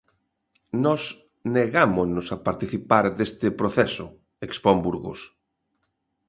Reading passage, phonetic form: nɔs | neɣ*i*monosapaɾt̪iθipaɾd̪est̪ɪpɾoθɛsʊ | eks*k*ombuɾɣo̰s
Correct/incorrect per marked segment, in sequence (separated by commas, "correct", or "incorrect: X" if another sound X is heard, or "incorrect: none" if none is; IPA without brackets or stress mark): incorrect: a, incorrect: p